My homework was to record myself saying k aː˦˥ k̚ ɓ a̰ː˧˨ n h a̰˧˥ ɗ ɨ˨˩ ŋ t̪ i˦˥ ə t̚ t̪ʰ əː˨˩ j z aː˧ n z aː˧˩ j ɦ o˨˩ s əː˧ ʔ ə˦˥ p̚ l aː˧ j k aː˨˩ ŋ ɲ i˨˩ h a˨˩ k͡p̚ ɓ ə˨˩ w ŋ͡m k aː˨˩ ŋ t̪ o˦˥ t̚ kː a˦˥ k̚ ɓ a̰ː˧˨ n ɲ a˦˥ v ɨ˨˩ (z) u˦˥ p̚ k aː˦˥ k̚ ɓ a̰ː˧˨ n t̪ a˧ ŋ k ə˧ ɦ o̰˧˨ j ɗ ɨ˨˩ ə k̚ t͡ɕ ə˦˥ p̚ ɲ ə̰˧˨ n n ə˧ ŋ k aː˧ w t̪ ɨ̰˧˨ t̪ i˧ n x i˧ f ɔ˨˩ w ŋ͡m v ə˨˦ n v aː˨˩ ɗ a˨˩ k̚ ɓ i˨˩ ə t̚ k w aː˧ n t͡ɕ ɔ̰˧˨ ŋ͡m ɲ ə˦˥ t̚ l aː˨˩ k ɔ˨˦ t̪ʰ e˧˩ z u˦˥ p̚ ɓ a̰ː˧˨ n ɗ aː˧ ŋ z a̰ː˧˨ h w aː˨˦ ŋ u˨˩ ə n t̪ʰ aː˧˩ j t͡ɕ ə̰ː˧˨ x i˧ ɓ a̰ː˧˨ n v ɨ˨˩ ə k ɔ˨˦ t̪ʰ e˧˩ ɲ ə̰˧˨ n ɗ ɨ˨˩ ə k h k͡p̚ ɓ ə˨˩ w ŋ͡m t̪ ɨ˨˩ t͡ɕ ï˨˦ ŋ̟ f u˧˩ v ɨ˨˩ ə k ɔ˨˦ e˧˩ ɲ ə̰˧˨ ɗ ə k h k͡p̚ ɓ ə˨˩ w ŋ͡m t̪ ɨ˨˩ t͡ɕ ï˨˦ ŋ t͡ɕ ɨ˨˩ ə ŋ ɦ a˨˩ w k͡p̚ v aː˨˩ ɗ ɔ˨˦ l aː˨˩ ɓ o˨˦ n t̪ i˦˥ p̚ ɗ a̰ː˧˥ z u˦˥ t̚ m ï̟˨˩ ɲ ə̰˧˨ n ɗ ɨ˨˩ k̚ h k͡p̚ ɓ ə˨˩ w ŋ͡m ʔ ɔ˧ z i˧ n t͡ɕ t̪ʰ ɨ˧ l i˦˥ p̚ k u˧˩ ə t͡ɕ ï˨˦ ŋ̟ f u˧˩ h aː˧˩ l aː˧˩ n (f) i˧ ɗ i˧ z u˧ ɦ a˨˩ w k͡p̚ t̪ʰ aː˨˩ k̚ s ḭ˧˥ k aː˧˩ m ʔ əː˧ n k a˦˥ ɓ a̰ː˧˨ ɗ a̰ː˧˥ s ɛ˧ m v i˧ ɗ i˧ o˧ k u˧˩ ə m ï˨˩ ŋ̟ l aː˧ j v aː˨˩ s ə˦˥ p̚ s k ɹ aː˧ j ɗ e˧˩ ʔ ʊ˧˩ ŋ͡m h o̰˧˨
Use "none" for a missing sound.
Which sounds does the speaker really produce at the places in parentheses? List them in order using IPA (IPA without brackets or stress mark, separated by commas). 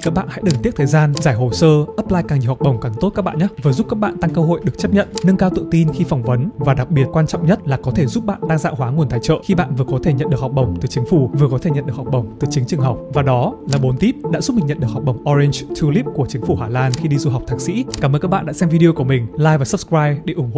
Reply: z, x